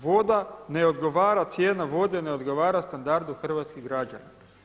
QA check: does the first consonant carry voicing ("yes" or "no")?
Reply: yes